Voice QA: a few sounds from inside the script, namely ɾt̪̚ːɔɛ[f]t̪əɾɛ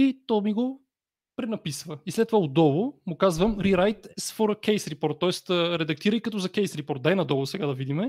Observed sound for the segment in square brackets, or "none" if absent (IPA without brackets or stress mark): s